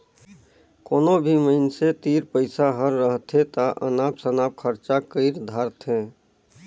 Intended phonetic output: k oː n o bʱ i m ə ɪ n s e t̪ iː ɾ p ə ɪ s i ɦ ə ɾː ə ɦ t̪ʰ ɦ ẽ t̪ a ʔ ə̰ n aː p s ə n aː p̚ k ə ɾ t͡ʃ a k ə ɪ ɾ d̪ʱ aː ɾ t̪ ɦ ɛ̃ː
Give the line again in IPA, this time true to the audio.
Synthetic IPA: k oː n o bʱ i m ə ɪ n s e t̪ iː ɾ p ə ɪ s a ɦ ə ɾː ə ɦ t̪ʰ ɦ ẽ t̪ a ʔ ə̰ n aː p s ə n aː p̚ kʰ ə ɾ t͡ʃ a k ə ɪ ɾ d̪ʱ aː ɾ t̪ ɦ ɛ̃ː